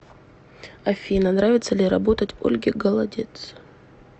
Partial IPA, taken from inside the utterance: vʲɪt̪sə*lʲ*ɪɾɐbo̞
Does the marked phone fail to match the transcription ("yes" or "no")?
no